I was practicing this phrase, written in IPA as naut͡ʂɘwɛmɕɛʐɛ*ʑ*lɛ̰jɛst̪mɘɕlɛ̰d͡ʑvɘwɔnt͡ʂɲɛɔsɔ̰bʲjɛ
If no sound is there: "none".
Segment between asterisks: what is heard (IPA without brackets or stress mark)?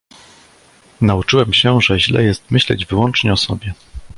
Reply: ʑ